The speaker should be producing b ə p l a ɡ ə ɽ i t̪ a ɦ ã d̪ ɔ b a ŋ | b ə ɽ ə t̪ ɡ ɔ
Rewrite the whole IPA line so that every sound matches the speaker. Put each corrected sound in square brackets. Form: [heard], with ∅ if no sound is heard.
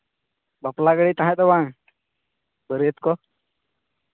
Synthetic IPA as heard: b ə p l a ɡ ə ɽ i t̪ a ɦ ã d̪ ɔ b a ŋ | b ə [ɾ] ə t̪ [k] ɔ